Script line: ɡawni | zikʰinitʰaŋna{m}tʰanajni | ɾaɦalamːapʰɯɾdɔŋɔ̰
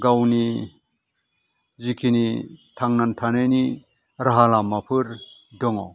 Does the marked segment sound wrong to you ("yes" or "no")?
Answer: yes